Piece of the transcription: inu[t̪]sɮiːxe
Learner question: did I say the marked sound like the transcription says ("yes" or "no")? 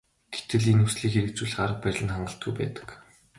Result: no